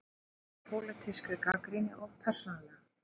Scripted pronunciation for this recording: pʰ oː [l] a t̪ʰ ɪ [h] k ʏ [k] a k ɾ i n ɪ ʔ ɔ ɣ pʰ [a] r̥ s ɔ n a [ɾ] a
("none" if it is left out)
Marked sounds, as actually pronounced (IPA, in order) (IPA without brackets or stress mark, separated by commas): l, s, k, ɛ, l